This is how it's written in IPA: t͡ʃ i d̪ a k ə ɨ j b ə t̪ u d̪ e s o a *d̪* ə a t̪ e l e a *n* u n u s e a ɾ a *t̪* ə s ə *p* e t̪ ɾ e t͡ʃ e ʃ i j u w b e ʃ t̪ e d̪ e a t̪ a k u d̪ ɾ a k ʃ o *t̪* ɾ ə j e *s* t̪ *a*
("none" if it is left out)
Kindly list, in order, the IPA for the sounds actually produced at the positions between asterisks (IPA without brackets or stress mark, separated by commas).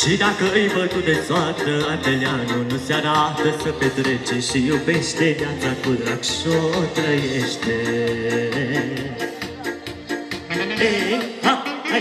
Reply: t̪, n, t̪, p, t̪, ʃ, e